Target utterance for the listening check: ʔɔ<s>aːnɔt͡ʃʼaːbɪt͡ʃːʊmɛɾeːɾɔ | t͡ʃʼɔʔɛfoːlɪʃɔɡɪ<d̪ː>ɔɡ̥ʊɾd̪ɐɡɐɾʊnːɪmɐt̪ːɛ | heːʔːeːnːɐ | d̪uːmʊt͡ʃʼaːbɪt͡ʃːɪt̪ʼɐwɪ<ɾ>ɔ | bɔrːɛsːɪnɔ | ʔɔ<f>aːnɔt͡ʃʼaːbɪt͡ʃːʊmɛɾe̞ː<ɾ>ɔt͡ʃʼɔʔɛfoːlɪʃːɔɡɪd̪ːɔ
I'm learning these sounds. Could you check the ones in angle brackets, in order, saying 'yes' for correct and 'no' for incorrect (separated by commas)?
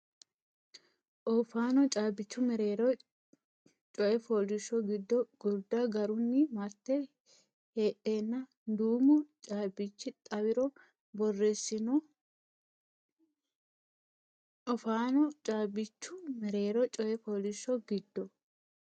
no, yes, yes, yes, yes